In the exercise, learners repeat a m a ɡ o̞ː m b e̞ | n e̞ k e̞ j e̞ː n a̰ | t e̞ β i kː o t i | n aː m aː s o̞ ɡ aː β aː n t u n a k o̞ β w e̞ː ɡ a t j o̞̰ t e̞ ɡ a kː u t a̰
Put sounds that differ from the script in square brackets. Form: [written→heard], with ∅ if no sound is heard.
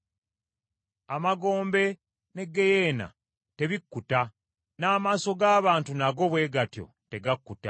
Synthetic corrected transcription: a m a ɡ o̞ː m b e̞ | n e̞ [k→ɡ] e̞ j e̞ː n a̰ | t e̞ β i kː [o→u] t [i→a] | n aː m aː s o̞ ɡ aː β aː n t u n a [k→ɡ] o̞ β w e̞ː ɡ a t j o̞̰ t e̞ ɡ a kː u t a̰